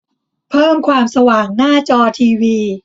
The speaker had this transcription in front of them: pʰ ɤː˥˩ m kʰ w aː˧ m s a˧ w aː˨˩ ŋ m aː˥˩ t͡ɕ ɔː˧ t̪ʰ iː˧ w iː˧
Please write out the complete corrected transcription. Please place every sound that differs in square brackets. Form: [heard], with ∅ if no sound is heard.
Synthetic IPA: pʰ ɤː˥˩ m kʰ w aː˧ m s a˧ w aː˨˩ ŋ [n] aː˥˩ t͡ɕ ɔː˧ t̪ʰ iː˧ w iː˧